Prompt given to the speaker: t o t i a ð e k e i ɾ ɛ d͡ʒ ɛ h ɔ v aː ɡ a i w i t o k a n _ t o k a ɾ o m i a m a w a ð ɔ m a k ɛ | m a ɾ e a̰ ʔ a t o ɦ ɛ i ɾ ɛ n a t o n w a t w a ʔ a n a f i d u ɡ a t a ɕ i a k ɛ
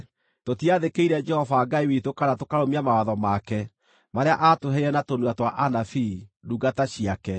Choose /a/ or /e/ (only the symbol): a